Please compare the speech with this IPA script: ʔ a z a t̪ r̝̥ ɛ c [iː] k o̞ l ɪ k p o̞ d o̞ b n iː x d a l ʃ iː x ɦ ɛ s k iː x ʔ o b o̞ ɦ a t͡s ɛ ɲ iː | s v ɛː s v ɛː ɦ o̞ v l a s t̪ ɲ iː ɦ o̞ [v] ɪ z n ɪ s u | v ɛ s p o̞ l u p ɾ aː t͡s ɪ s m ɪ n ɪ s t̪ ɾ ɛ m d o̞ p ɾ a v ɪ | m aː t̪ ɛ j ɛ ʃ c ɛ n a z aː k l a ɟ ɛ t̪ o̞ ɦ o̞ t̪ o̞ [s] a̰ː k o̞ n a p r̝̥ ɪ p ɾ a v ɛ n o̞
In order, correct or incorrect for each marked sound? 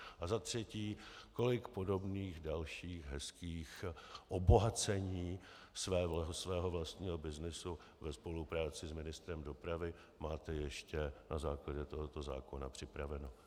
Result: correct, incorrect, incorrect

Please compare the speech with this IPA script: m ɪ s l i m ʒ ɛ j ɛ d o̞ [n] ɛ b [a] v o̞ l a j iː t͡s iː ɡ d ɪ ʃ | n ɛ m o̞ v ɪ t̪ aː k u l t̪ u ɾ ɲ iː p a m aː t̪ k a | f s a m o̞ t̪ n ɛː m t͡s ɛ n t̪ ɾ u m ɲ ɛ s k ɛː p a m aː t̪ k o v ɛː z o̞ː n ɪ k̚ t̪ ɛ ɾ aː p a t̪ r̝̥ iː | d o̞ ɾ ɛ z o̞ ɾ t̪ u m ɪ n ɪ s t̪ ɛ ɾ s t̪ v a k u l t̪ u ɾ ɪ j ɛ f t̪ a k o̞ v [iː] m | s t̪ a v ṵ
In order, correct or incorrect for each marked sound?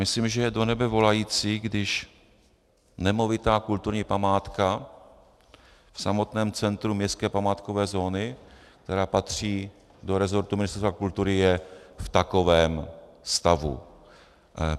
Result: correct, incorrect, incorrect

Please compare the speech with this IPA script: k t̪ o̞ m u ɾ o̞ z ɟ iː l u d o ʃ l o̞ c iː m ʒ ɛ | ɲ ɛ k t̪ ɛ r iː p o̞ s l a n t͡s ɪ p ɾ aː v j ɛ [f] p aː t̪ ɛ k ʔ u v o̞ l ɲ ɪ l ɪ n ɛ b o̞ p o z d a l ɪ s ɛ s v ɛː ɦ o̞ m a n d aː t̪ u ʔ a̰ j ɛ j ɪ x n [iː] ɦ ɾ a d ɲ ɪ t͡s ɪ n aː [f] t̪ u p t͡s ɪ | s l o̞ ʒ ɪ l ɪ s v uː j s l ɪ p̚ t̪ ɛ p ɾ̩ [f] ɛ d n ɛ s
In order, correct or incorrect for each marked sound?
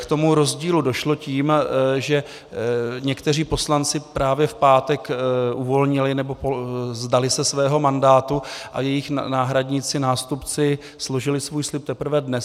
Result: correct, incorrect, incorrect, incorrect

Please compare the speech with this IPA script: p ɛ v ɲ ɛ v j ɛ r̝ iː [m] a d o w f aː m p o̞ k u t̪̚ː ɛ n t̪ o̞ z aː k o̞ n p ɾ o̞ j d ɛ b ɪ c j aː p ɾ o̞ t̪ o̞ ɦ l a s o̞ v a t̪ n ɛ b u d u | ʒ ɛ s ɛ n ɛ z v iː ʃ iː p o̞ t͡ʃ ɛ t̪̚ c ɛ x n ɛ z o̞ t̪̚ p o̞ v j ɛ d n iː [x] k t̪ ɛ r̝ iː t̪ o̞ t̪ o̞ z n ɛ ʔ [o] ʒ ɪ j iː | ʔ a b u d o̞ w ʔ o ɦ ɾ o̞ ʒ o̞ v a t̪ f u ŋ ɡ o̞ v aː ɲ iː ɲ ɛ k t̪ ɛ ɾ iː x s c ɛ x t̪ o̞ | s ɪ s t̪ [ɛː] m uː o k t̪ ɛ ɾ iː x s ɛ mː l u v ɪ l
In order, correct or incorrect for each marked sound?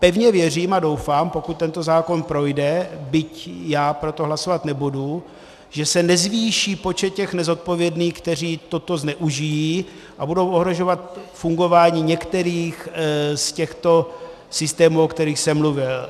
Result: correct, correct, incorrect, correct

